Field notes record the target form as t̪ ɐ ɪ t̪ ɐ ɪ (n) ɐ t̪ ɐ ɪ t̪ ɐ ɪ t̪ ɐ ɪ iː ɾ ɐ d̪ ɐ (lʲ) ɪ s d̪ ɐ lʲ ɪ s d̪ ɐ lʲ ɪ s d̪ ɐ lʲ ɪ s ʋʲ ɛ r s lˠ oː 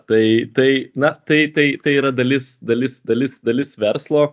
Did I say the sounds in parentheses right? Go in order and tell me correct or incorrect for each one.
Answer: correct, correct

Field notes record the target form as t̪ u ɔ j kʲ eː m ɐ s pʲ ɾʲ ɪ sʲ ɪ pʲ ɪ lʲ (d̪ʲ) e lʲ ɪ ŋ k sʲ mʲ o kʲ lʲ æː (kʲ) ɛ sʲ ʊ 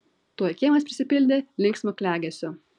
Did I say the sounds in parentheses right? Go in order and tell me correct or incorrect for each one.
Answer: correct, incorrect: ɡʲ

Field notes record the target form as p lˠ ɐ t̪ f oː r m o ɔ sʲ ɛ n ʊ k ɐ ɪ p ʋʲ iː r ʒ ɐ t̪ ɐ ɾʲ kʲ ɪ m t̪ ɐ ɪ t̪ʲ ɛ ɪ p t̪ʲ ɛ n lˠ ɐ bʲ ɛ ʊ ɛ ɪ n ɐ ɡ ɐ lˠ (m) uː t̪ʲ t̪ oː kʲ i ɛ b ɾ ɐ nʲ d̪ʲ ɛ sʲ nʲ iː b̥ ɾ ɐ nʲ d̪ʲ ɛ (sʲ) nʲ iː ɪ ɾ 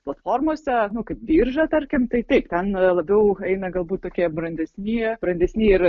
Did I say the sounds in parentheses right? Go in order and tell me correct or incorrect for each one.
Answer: incorrect: b, correct

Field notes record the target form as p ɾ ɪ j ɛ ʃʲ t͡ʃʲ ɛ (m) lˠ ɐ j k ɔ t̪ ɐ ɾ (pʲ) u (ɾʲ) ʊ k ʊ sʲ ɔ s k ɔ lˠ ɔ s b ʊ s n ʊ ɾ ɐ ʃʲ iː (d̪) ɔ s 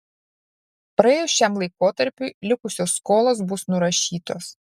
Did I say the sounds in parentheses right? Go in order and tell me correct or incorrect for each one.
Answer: correct, correct, incorrect: lʲ, incorrect: t̪

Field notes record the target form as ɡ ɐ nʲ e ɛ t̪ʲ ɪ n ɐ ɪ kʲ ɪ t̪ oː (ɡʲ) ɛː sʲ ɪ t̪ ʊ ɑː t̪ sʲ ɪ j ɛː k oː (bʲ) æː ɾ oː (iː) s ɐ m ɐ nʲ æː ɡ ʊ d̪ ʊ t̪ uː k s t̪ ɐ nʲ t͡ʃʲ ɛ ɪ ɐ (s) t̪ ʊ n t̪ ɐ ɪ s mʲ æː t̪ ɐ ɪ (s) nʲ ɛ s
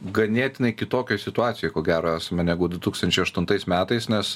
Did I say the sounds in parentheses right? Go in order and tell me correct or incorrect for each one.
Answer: incorrect: kʲ, incorrect: ɡʲ, incorrect: æː, incorrect: ʃ, correct

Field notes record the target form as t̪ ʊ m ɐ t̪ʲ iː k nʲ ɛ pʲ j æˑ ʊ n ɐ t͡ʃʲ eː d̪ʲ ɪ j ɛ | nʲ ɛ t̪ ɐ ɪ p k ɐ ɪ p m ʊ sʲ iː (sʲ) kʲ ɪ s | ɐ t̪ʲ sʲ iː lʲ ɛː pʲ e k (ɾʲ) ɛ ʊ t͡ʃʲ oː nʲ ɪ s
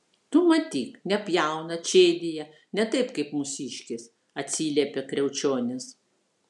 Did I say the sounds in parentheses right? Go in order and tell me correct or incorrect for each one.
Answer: incorrect: ʃʲ, correct

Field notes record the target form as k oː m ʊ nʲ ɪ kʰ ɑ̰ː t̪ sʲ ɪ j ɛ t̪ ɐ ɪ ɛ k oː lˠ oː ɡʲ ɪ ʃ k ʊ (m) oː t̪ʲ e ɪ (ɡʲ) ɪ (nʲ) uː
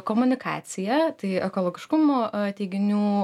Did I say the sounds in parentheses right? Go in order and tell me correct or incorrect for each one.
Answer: correct, correct, correct

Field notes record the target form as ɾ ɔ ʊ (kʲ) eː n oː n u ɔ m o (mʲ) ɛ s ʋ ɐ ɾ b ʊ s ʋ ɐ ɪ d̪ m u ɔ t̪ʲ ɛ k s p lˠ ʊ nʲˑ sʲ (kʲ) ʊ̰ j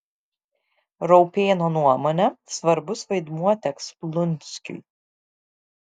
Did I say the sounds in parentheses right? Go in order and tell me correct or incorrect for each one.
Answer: incorrect: pʲ, incorrect: nʲ, correct

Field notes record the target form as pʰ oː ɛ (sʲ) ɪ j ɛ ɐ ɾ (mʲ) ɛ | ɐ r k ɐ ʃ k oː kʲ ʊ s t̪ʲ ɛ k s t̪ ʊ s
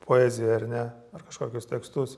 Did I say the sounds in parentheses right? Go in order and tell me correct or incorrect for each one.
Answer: incorrect: zʲ, incorrect: nʲ

